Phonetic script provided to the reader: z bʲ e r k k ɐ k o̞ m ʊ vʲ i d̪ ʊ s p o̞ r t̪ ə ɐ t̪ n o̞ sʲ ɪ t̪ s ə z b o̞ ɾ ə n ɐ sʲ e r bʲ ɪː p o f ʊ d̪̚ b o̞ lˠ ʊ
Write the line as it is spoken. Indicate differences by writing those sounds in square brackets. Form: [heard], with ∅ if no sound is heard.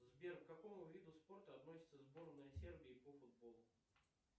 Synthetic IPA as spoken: z bʲ e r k k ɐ k o̞ m ʊ vʲ i d̪ ʊ s p o̞ r t̪ ə ɐ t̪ n o̞ sʲ ɪ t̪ s ə z b o̞ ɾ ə n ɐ sʲ e r bʲ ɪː p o f ʊ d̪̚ b o̞ lˠ ʊ

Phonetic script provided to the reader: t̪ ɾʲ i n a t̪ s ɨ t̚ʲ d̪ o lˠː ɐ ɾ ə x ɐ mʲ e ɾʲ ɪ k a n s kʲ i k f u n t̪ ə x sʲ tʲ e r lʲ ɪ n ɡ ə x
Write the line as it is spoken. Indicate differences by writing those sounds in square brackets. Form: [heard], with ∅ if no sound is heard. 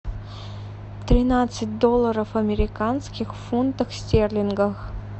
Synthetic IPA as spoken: t̪ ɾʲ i n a t̪ s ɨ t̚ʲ d̪ o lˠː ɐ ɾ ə [f] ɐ mʲ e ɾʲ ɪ k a n s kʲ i [x] f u n t̪ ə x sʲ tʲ e r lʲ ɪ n ɡ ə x

